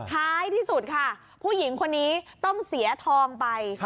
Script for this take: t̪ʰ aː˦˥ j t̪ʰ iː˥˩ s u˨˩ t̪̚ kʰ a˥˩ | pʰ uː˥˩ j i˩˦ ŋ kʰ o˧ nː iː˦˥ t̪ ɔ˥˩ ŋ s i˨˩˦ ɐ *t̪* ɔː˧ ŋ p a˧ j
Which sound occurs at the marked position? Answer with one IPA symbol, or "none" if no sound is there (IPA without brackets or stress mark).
t̪ʰ